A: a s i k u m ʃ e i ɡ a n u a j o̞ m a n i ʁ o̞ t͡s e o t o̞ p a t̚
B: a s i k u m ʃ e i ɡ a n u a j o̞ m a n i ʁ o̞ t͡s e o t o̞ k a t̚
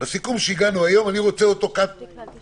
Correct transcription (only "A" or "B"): B